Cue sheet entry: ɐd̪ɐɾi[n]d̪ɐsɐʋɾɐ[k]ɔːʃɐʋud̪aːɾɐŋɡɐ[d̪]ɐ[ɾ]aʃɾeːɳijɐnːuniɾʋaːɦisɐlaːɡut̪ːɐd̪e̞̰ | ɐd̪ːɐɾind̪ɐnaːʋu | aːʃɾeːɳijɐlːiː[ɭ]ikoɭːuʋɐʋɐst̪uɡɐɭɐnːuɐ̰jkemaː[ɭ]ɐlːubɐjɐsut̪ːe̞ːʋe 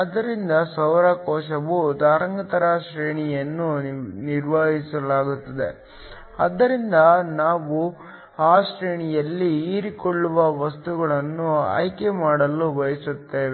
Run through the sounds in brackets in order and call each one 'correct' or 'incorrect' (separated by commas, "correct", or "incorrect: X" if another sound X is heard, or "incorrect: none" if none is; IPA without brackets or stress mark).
correct, correct, incorrect: t̪, correct, incorrect: ɾ, incorrect: ɽ